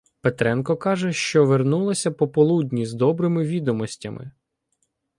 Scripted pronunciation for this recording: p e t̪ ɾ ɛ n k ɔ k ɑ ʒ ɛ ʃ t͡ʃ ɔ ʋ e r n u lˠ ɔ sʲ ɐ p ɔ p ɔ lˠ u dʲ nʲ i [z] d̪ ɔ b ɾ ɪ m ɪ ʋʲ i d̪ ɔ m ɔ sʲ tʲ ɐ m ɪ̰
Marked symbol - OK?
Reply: yes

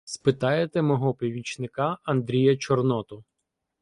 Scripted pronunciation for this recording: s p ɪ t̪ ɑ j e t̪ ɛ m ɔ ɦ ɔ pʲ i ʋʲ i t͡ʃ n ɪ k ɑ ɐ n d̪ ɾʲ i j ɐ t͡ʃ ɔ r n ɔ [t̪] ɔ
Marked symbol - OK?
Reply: yes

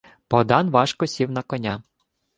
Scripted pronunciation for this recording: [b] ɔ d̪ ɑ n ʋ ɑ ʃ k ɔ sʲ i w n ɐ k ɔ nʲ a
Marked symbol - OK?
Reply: no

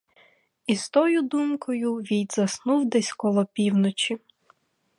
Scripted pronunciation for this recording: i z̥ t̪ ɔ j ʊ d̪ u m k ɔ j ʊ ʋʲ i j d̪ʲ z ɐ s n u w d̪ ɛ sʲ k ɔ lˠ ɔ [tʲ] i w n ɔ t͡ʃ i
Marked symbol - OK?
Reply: no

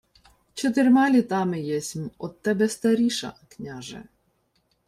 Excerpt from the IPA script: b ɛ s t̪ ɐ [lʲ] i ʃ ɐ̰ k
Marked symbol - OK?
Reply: no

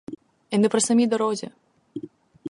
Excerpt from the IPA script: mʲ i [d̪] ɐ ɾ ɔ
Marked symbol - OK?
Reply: yes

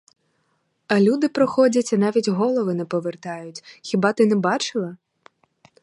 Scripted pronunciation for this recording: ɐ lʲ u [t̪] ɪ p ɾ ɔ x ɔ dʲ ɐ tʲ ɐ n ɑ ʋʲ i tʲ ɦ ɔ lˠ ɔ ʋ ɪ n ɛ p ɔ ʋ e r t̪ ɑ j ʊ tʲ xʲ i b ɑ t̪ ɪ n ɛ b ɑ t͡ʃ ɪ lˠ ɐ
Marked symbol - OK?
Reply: no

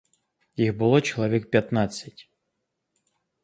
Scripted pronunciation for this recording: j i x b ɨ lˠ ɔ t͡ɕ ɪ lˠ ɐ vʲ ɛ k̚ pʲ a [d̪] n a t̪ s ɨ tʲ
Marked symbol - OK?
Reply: no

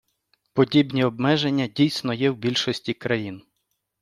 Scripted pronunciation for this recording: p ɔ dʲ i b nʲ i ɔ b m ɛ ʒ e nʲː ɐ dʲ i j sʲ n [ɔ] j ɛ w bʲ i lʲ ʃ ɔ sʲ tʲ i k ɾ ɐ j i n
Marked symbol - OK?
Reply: yes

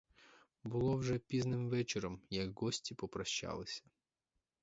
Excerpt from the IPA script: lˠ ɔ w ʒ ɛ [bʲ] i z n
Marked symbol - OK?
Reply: no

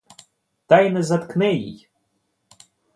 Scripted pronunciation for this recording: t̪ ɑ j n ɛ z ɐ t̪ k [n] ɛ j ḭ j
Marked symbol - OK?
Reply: yes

